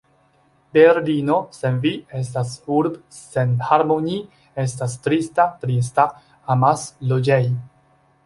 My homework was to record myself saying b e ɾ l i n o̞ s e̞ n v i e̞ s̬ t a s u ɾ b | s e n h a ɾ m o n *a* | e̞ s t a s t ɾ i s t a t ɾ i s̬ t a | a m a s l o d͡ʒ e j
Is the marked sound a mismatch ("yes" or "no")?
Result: yes